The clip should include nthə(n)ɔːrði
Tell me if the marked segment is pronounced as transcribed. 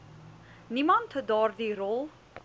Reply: no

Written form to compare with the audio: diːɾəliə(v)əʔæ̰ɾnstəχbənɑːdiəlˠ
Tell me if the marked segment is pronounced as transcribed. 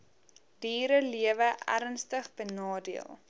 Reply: yes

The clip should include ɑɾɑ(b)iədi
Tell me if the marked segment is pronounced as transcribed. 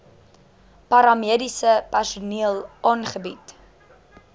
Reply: no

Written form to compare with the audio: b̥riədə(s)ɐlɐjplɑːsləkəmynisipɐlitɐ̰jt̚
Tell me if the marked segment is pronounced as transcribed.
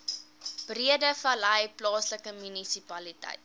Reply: no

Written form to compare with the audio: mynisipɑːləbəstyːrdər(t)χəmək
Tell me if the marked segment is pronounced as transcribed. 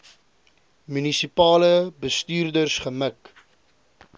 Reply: no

